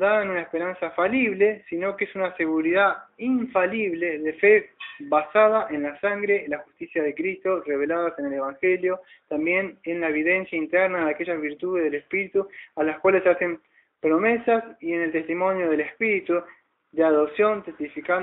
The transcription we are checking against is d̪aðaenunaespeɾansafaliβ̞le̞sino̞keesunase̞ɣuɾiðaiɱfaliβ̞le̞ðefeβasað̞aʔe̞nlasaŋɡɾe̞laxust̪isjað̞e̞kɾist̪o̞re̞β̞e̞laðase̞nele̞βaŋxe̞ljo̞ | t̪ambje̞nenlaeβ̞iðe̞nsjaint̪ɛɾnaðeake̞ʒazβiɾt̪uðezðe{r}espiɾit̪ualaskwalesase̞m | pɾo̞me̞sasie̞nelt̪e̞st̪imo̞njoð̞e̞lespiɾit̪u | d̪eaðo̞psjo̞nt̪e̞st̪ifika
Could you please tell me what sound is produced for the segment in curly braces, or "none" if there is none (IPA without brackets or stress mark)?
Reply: l